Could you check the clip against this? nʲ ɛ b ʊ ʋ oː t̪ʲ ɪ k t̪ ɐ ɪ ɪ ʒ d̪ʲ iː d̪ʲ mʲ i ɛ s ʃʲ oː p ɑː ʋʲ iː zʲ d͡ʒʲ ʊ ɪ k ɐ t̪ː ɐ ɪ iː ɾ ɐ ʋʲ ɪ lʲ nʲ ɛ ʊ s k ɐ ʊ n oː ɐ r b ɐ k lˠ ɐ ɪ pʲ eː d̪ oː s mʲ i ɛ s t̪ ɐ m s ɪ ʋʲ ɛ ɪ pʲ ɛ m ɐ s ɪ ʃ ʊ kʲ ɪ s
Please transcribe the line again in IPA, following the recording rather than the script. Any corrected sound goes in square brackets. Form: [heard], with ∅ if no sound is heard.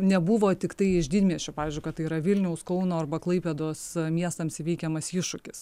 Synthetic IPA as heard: nʲ ɛ b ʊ ʋ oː t̪ʲ ɪ k t̪ ɐ ɪ ɪ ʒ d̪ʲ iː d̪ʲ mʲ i ɛ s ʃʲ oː p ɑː ʋʲ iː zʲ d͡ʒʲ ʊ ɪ k ɐ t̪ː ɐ ɪ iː ɾ ɐ ʋʲ ɪ lʲ nʲ ɛ ʊ s k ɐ ʊ n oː ɐ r b ɐ k lˠ ɐ ɪ pʲ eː d̪ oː s mʲ i ɛ s t̪ ɐ m s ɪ ʋʲ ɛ ɪ [kʲ] ɛ m ɐ s ɪ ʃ ʊ kʲ ɪ s